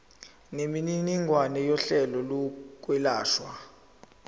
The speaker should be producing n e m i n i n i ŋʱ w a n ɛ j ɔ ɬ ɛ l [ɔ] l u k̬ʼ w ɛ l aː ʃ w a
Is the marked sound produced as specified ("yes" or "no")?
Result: yes